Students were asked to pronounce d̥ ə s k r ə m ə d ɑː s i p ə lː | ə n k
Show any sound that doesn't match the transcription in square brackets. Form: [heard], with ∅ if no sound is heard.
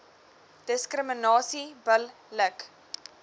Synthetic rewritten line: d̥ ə s k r ə m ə [n] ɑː s i [b] ə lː | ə [∅] k